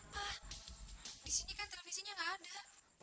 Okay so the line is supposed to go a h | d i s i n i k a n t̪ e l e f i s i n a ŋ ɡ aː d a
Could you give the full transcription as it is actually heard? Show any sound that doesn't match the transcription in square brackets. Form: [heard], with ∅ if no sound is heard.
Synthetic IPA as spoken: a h | d i s i n i k a n t̪ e l e f i s i [ɲ] a ŋ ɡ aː d a